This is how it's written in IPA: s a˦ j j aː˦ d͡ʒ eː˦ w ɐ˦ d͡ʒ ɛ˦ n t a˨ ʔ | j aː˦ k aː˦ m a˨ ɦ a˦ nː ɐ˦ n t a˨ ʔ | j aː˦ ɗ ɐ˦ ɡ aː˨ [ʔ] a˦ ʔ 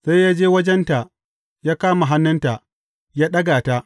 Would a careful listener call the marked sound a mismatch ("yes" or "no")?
yes